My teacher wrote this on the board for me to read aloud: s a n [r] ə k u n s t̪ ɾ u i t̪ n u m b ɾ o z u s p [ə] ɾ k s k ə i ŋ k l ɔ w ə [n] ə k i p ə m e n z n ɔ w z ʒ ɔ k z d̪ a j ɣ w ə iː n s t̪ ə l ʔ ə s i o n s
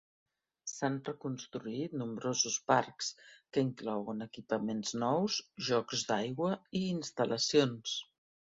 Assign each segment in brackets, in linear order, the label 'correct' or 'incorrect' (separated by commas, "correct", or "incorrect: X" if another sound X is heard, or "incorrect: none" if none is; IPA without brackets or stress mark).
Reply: correct, incorrect: a, correct